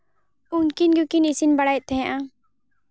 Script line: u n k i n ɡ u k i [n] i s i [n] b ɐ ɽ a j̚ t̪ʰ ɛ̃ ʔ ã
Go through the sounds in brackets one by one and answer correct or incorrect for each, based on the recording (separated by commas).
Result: correct, correct